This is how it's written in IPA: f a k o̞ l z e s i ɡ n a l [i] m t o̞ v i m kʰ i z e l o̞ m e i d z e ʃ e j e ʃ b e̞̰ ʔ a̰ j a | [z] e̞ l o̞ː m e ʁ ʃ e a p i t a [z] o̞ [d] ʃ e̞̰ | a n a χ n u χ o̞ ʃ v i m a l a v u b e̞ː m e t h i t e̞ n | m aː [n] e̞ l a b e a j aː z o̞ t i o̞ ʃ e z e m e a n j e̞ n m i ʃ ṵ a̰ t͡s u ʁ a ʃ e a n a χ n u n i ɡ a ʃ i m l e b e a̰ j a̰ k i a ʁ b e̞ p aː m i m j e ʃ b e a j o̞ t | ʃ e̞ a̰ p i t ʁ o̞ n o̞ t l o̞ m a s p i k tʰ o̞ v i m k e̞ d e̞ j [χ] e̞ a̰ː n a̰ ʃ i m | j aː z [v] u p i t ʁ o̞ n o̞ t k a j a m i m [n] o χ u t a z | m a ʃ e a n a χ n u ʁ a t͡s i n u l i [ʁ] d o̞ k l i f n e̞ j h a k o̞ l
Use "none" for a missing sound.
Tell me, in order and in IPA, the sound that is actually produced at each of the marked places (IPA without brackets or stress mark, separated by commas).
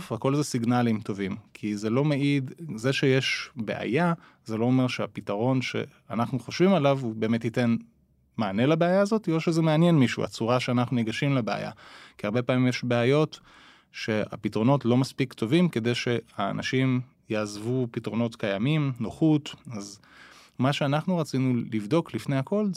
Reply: i, z, ʁ, n, n, ʃ, v, n, v